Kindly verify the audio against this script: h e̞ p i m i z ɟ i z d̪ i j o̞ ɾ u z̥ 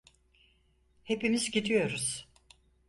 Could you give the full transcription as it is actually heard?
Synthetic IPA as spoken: h e̞ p i m i z ɟ i d̪ i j o̞ ɾ u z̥